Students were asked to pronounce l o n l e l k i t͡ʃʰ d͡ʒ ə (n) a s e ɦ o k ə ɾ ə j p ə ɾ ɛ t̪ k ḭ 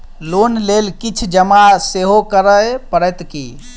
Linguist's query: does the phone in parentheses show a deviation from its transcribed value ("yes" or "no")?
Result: yes